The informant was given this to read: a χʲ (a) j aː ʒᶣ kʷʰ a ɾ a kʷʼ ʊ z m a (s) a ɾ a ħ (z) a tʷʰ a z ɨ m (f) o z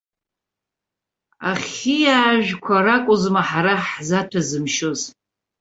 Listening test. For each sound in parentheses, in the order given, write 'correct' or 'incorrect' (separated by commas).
incorrect, incorrect, correct, incorrect